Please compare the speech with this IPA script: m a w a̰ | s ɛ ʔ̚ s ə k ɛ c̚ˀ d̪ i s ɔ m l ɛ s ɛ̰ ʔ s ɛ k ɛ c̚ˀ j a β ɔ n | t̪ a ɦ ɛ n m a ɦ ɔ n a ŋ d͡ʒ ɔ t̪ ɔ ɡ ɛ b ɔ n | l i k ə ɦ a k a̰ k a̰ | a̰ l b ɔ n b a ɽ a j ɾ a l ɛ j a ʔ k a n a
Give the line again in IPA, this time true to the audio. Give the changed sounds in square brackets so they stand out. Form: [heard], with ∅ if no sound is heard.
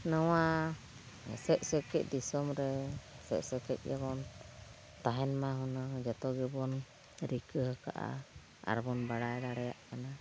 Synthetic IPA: [n] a w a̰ | s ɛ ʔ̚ s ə k ɛ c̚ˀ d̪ i s ɔ m [ɾ] ɛ s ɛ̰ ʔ s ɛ k ɛ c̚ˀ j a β ɔ n | t̪ a ɦ ɛ n m a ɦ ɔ n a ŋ d͡ʒ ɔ t̪ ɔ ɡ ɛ b ɔ n | [ɾ] i k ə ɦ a k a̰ [ʔ] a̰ | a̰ [ɾ] b ɔ n b a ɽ a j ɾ a [ɽ] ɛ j a ʔ k a n a